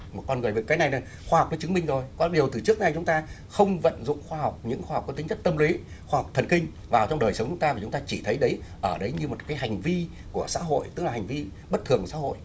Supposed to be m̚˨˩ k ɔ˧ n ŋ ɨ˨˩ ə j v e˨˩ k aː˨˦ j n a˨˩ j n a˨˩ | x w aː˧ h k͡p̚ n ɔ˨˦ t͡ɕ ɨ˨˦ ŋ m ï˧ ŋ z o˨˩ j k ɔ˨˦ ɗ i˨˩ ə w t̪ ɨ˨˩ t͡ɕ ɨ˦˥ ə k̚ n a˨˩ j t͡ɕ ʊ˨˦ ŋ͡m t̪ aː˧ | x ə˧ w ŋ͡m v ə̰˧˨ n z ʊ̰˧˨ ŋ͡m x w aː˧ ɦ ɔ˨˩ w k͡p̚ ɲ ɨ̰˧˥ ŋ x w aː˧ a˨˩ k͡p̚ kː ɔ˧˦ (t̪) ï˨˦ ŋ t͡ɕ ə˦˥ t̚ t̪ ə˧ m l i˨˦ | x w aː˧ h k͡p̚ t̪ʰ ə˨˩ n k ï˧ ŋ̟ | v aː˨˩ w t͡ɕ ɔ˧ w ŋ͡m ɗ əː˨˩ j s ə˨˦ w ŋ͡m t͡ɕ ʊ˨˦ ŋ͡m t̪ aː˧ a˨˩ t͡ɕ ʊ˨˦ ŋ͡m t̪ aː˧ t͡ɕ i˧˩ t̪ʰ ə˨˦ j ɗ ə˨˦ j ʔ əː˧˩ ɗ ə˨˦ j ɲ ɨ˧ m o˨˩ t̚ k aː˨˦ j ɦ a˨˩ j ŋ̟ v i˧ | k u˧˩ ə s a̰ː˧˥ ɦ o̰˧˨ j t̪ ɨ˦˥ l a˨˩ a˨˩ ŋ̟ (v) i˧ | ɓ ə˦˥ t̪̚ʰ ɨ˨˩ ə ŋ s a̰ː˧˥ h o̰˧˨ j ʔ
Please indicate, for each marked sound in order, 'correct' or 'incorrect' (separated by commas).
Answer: correct, correct